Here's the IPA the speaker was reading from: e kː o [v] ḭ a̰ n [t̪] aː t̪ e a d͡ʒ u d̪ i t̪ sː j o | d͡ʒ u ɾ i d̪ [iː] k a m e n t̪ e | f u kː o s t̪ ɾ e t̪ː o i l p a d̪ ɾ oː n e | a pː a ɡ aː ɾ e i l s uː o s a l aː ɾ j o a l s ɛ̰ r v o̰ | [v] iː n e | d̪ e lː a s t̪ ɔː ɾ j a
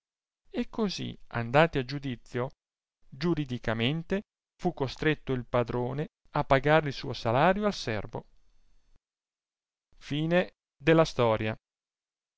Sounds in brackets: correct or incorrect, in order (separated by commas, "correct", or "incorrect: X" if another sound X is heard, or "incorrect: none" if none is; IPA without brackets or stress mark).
incorrect: z, incorrect: d̪, incorrect: i, incorrect: f